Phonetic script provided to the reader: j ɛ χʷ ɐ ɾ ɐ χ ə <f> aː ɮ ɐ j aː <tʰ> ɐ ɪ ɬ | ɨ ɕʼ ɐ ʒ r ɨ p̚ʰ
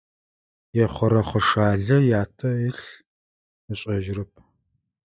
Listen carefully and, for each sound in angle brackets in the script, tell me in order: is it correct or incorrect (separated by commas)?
incorrect, correct